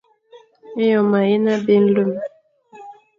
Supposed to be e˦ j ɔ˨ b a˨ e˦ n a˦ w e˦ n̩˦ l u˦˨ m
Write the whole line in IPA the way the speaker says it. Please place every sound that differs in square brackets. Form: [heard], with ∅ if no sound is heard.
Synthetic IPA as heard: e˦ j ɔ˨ [m] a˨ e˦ n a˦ [b] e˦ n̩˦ l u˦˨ m